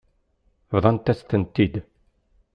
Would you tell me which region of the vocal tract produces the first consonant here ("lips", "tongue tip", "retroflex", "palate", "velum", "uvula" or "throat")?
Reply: lips